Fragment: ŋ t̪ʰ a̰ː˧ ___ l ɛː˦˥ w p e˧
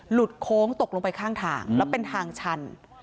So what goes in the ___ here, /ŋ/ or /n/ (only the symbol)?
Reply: ŋ